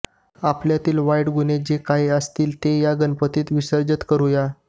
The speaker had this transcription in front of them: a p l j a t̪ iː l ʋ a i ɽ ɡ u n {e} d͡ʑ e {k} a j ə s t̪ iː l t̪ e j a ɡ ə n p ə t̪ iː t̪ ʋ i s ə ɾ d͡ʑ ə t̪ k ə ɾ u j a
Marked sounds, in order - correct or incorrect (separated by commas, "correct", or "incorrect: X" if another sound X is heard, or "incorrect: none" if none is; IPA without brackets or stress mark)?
correct, correct